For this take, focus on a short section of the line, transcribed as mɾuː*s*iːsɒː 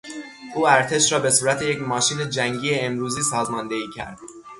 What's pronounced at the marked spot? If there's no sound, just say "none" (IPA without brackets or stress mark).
z